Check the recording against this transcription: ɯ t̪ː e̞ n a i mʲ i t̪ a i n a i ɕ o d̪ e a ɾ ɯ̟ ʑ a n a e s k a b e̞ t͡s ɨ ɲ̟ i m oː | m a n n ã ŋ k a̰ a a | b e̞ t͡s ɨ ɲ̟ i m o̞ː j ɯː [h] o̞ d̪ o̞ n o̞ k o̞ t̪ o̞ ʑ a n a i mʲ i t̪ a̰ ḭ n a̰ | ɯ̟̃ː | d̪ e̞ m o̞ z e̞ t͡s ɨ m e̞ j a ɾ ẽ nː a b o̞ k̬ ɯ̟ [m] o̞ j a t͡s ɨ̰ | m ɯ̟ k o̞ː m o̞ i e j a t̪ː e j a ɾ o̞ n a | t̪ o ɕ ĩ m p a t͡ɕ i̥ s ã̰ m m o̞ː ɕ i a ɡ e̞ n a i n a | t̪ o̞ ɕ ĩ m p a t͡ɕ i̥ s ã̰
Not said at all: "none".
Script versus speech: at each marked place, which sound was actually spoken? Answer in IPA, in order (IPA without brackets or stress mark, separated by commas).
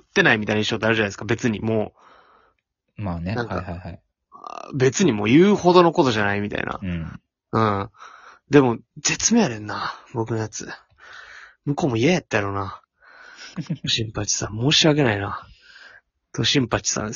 h, n